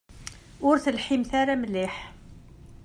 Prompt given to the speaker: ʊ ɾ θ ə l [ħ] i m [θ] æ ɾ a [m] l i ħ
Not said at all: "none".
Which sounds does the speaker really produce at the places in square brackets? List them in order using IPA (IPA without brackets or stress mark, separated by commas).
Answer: ħ, θ, m